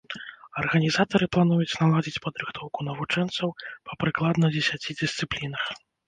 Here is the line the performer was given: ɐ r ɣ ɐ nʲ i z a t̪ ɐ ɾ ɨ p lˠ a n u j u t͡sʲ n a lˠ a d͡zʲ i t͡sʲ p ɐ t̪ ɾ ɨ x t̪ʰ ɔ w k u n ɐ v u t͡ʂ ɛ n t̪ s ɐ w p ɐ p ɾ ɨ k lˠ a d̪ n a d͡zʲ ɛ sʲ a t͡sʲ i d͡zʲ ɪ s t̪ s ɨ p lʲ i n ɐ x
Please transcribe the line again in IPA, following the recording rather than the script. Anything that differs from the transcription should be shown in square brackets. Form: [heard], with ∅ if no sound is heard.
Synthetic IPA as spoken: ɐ r ɣ ɐ nʲ i z a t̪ ɐ ɾ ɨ p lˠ a n u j u t͡sʲ n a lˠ a d͡zʲ i t͡sʲ p ɐ [d̪] ɾ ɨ x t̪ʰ ɔ w k u n ɐ v u t͡ʂ ɛ n t̪ s ɐ w p ɐ p ɾ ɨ k lˠ a d̪ n [ɐ] d͡zʲ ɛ sʲ a t͡sʲ i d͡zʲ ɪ s t̪ s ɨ p lʲ i n ɐ x